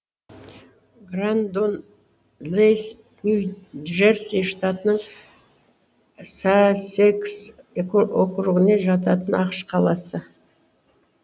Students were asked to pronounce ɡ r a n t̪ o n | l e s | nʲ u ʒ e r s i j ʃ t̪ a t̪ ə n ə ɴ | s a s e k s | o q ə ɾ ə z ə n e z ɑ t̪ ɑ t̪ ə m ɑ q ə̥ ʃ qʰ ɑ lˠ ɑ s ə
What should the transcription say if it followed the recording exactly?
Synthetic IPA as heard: ɡ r a n d̪ o n | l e s | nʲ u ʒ e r s i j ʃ t̪ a t̪ ə n ə ɴ | s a s e k s | o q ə ɾ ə ʁ ə n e ʒ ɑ t̪ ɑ t̪ ə n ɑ q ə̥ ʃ qʰ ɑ lˠ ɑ s ə